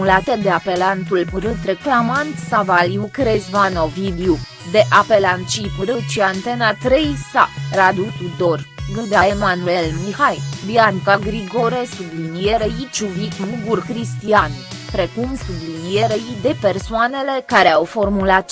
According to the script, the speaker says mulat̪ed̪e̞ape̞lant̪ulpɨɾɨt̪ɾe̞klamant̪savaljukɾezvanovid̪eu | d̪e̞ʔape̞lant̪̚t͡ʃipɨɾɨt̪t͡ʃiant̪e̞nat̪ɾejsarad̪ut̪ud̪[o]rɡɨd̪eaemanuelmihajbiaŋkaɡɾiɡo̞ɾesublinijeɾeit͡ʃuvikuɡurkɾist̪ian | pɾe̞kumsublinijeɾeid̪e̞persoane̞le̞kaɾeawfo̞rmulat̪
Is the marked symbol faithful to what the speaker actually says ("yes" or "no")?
yes